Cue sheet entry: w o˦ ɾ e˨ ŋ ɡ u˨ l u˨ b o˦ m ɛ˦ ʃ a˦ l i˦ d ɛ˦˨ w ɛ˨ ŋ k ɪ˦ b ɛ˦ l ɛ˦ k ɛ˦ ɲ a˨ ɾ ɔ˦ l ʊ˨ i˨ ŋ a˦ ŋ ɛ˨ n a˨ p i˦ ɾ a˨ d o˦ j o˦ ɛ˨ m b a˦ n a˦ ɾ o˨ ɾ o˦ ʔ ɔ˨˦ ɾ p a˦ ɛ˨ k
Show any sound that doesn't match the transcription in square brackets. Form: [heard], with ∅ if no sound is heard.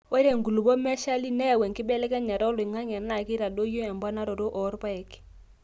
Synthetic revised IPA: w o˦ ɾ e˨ ŋ ɡ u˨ l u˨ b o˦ m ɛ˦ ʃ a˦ l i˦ [n] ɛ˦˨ w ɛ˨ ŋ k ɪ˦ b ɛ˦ l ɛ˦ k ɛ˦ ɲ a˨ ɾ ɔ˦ l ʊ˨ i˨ ŋ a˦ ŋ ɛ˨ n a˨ [k] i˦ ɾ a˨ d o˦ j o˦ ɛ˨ m b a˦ n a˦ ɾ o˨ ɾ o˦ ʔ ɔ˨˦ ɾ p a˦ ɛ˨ k